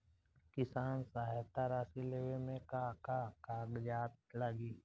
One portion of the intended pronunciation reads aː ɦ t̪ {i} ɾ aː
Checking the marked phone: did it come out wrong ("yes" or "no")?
yes